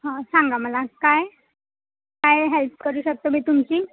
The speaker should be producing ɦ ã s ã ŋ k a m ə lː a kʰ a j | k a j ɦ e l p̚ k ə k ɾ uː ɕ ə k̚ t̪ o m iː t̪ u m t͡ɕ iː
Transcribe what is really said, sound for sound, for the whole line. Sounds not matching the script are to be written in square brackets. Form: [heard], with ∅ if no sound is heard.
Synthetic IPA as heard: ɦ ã s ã ŋ [ɡ] a m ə [l] a [k] a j | k a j ɦ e l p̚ k ə [∅] ɾ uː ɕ ə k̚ t̪ o m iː t̪ u m t͡ɕ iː